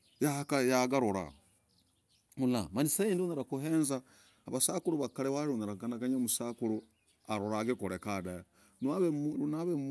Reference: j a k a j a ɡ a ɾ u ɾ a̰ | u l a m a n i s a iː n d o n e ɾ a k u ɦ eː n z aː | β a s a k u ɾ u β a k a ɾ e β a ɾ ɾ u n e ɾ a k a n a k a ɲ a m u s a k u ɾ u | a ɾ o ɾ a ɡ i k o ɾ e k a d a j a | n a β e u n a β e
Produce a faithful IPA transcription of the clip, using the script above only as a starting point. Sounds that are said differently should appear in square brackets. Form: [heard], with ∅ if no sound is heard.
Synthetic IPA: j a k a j a ɡ a ɾ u ɾ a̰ | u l a m a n i s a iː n d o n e ɾ a k u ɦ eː n z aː | β a s a k u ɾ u β a k a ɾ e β a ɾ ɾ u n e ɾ a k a n a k a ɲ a m u s a k u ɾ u | a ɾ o ɾ a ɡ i k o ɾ e k a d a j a | n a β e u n a β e